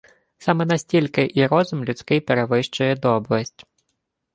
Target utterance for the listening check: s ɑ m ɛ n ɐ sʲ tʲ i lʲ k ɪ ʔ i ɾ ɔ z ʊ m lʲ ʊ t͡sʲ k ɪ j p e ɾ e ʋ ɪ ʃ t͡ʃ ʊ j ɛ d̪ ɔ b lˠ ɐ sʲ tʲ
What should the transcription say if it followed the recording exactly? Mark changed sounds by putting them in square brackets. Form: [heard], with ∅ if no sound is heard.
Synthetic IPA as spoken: s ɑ m ɛ n ɐ sʲ tʲ i lʲ k ɪ ʔ i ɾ ɔ z ʊ m lʲ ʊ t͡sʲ k ɪ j p e ɾ e ʋ ɪ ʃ t͡ʃ ʊ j ɛ d̪ ɔ b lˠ ɐ sʲ tʲ